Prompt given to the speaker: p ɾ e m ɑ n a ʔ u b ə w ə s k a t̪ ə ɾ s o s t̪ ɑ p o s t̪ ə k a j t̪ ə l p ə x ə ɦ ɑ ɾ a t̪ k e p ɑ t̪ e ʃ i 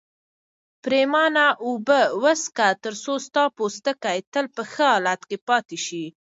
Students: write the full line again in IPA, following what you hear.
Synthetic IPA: p ɾ e m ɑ n a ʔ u b ə w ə s k a t̪ ə ɾ s o s t̪ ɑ p o s t̪ ə k a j t̪ ə l p ə x ə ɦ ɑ l a t̪ k e p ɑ t̪ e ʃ i